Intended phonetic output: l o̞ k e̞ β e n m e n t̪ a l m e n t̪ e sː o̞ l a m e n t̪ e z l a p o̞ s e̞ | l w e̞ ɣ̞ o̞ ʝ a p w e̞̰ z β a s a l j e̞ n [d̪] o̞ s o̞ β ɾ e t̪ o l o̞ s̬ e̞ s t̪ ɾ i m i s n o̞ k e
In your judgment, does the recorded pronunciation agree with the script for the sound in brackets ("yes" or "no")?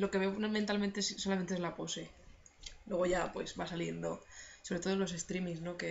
yes